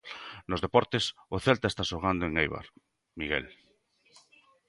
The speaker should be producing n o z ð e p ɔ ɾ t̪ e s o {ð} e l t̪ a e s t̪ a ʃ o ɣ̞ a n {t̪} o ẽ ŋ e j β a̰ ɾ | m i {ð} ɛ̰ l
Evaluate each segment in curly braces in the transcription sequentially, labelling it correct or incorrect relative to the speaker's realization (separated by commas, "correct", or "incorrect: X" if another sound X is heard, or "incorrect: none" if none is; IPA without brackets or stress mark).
incorrect: θ, incorrect: d̪, incorrect: ɣ